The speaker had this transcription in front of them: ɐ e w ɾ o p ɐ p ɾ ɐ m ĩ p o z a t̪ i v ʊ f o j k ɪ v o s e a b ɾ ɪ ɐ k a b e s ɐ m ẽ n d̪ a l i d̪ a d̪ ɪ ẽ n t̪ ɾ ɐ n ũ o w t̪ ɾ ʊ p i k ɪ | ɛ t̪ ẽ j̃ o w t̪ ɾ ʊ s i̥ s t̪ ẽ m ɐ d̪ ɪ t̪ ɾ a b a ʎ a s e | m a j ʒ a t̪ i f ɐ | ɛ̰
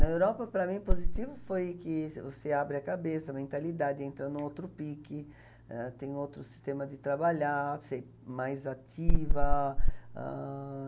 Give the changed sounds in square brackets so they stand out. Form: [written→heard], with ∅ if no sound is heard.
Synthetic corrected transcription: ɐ e w ɾ [o→ɔ] p ɐ p ɾ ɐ m ĩ p o z [a→i] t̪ i v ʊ f o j k ɪ v o s e a b ɾ ɪ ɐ k a b e s ɐ m ẽ n [d̪→t̪] a l i d̪ a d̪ ɪ ẽ n t̪ ɾ ɐ n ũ o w t̪ ɾ ʊ p i k ɪ | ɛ t̪ ẽ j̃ o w t̪ ɾ ʊ s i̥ s t̪ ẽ m ɐ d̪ ɪ t̪ ɾ a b a ʎ a s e | m a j [ʒ→z] a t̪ i [f→v] ɐ | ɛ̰